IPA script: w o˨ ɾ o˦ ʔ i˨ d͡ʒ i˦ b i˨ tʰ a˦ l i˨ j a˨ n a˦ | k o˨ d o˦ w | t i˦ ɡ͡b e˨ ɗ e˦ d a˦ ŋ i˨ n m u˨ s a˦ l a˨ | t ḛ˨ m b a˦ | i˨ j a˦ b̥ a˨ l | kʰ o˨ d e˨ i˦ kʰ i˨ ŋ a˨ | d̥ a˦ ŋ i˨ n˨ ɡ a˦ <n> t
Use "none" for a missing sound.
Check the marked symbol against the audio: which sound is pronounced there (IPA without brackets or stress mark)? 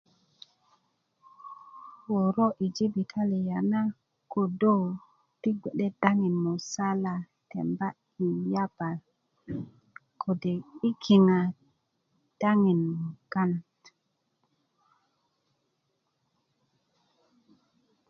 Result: n